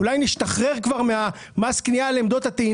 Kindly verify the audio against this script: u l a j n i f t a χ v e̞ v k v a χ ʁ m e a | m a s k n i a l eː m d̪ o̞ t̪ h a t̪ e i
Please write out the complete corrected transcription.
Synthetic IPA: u l a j n i ʃ t a χ ʁ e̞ ʁ k v a ʁ m e a | m a s k n i a l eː m d̪ o̞ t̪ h a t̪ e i